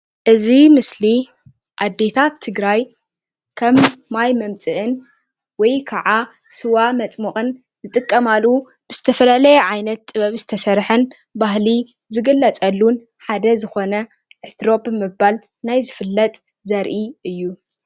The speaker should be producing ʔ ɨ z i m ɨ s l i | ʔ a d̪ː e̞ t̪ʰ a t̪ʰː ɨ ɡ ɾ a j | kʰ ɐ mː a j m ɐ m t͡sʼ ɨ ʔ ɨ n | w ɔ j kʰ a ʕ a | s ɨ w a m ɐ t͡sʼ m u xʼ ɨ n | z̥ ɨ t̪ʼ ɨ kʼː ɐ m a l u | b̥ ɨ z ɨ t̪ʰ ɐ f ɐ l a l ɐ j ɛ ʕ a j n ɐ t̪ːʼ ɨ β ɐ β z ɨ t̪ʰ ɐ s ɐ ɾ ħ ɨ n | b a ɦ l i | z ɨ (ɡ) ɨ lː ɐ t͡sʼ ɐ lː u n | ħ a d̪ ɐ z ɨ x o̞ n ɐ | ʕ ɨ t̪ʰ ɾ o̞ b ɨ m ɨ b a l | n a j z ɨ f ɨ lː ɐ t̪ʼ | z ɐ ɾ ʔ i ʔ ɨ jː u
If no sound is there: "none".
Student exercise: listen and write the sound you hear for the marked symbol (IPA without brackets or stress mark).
ɡ